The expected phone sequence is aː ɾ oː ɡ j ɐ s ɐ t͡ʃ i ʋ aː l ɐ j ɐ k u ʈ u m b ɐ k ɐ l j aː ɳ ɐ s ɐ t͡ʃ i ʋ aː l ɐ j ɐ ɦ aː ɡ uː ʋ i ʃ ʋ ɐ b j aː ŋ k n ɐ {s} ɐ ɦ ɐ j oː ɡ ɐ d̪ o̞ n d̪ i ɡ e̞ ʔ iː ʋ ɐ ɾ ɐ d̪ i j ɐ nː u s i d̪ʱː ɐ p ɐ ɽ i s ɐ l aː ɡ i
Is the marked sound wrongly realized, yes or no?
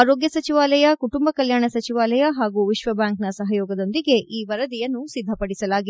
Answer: no